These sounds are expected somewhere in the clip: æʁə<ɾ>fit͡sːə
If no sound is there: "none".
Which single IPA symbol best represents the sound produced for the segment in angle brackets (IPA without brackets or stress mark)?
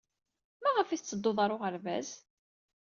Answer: none